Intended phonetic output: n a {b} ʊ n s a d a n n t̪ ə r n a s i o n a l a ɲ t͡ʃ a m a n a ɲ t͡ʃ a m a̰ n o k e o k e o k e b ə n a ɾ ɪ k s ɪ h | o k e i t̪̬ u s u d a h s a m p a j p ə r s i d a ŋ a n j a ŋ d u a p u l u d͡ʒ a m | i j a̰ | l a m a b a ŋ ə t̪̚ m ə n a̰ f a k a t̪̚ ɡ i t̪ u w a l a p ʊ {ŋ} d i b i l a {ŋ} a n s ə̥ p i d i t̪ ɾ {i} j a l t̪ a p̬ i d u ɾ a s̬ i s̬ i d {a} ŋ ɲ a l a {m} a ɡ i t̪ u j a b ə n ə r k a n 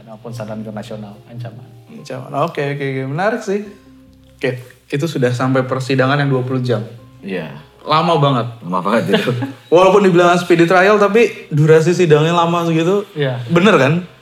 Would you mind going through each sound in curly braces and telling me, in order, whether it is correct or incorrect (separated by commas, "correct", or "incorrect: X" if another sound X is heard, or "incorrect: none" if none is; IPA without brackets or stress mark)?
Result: incorrect: p, incorrect: n, correct, incorrect: a, correct, correct